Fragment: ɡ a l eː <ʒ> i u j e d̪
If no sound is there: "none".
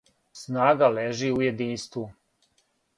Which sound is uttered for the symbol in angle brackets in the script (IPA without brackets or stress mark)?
ʒ